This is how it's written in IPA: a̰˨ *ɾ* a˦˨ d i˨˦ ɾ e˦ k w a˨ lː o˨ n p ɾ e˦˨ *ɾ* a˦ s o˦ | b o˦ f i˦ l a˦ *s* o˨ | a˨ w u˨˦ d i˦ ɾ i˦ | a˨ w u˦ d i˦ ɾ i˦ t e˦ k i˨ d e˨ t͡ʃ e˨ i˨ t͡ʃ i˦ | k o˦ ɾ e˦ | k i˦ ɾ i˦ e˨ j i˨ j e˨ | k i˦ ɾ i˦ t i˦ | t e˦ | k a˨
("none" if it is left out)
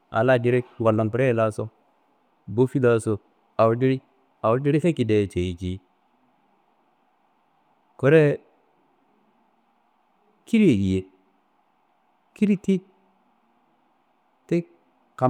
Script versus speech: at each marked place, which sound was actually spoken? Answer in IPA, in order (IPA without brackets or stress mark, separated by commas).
l, l, s